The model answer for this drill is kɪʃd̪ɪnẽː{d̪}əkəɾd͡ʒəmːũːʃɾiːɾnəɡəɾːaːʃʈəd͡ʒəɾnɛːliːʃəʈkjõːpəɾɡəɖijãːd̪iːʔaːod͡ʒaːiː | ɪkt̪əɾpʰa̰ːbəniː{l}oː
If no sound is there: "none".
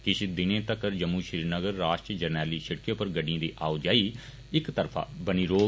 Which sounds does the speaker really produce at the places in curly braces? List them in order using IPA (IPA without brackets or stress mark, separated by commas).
t̪, ɾ